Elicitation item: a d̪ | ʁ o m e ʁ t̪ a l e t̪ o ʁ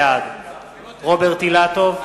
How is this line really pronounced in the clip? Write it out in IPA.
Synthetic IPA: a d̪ | ʁ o b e ʁ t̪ i l a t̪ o v